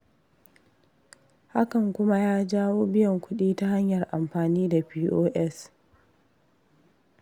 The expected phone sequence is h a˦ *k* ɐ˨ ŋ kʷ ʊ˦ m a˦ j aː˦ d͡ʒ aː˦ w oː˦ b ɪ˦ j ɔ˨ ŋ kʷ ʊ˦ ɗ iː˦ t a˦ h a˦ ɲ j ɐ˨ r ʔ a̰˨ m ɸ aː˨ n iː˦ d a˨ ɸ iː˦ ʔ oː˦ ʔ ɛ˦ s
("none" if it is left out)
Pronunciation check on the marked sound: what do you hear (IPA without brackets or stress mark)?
k